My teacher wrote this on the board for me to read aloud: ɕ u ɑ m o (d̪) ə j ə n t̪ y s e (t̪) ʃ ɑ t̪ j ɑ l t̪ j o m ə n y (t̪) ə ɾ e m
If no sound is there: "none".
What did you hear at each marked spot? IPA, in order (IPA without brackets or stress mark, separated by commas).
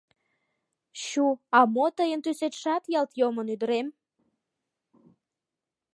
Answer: t̪, t̪, d̪